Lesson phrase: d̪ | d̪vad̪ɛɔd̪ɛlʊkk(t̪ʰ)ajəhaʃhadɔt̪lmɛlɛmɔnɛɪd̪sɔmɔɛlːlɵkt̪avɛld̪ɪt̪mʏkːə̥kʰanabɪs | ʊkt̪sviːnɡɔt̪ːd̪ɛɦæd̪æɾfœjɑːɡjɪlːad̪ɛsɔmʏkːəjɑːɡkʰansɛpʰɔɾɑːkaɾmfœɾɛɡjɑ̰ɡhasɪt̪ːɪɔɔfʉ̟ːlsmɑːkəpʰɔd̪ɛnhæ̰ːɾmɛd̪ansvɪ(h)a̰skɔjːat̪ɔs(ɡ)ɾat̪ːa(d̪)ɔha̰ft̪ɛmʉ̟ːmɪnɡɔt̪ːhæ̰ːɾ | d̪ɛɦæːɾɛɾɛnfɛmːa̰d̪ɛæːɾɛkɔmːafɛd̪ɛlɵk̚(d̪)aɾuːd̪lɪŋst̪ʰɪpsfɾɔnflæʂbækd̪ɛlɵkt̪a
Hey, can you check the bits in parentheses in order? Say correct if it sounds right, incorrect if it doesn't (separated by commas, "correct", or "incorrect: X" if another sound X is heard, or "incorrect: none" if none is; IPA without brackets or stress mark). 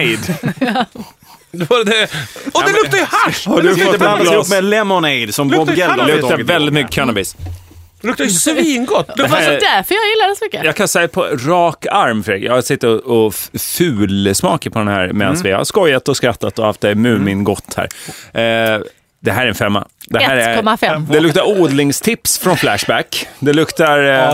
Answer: incorrect: t̪, correct, incorrect: k, incorrect: t̪, incorrect: t̪